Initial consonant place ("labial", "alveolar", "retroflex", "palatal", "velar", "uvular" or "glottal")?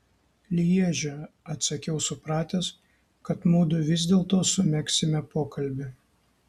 alveolar